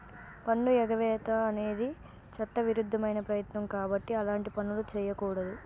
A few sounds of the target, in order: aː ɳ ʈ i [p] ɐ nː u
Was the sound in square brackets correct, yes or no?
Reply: yes